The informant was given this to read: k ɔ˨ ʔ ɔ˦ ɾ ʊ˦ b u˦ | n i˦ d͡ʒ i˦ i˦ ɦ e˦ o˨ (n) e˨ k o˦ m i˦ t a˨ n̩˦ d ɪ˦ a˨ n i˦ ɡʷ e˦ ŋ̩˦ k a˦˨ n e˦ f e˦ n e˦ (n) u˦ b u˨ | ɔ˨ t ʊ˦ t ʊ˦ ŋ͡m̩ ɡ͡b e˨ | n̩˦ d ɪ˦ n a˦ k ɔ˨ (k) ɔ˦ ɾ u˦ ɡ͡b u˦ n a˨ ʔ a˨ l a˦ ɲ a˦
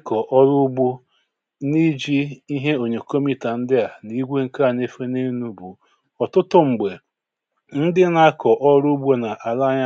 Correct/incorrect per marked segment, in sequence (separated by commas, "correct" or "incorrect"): incorrect, correct, incorrect